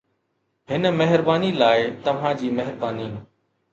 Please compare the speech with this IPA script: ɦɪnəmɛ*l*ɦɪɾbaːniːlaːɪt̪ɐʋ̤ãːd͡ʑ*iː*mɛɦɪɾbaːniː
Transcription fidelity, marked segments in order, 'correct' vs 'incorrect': incorrect: none, correct

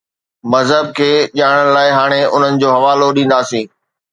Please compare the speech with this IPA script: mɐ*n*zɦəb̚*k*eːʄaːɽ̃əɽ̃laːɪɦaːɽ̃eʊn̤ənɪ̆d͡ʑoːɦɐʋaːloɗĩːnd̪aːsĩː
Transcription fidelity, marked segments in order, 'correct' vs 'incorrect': incorrect: none, incorrect: kʰ

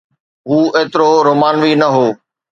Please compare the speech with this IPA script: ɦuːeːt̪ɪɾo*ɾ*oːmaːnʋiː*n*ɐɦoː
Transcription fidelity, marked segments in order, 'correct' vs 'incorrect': correct, correct

